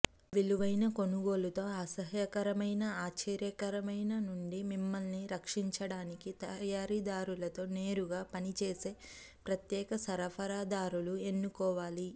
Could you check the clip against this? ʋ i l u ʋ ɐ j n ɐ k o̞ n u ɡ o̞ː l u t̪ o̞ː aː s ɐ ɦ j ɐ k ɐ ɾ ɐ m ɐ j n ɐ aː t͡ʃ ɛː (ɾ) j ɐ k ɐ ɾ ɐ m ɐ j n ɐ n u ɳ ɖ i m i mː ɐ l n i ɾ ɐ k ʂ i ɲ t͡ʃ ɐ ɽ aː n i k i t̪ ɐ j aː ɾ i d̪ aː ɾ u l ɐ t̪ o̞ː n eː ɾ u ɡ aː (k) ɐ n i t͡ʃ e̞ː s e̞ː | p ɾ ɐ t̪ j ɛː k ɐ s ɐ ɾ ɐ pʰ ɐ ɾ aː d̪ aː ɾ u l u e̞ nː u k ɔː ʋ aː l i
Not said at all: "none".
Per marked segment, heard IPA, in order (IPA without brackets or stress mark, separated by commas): ɾ, p